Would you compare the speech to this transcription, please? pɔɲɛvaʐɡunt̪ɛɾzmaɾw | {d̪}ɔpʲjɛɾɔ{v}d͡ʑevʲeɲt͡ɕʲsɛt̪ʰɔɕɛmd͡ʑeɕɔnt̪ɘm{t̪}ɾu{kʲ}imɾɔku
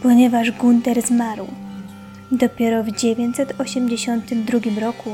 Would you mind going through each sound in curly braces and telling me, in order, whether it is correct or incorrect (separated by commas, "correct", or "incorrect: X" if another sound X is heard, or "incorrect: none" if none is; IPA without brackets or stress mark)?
correct, correct, incorrect: d̪, incorrect: ɡʲ